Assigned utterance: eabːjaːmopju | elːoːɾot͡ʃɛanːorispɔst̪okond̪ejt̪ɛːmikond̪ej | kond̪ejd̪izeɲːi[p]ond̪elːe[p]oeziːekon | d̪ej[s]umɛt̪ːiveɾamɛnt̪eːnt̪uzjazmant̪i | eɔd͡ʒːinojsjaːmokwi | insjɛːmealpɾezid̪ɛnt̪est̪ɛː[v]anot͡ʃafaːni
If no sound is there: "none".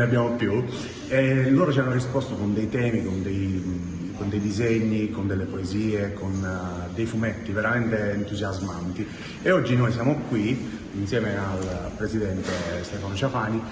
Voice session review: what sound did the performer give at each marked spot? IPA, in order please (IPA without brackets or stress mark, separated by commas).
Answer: k, p, f, f